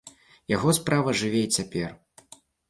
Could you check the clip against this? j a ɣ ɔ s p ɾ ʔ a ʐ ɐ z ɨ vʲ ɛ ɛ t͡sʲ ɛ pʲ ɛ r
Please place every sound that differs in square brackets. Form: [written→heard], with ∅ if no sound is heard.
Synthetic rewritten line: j a ɣ ɔ s p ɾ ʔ a [ʐ→v] ɐ [z→ʐ] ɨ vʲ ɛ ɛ t͡sʲ [ɛ→a] pʲ ɛ r